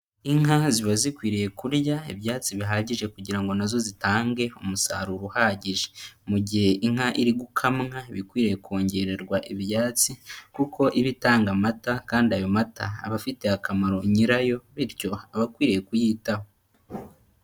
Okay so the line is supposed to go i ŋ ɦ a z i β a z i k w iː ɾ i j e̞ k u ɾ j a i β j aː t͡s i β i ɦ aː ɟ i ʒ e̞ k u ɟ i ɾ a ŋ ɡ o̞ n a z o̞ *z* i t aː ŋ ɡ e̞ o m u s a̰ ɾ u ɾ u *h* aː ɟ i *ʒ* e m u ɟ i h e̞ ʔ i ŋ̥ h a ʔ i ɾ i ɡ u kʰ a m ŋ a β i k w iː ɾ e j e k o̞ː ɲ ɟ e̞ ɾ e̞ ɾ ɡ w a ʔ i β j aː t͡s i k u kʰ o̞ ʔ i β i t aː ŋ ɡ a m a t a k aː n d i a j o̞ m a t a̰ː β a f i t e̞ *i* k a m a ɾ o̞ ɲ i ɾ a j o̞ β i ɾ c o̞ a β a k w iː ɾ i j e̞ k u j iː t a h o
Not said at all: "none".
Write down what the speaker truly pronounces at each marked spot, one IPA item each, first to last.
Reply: z, h, ʒ, a

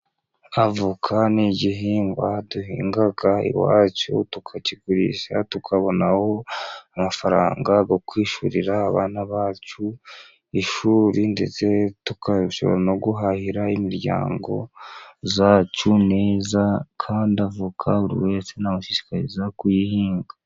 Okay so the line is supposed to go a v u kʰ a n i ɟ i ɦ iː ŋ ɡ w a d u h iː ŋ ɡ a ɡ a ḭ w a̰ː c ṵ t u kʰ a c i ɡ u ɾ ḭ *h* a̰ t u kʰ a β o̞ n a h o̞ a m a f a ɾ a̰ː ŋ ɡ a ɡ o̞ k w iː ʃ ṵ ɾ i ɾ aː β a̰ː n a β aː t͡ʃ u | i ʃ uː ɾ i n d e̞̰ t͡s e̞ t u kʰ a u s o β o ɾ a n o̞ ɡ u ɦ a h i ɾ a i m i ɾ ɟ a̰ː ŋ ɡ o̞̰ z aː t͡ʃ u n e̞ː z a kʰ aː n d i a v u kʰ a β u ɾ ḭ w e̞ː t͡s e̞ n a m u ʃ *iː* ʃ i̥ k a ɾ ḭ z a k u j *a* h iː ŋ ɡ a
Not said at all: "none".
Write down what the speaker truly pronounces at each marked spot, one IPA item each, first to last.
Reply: ʃ, i, i

